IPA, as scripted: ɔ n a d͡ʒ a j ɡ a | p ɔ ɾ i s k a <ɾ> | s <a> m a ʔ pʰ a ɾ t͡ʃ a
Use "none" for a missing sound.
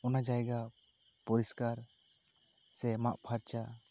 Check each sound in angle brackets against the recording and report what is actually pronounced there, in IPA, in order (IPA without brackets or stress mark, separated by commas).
ɾ, ɛ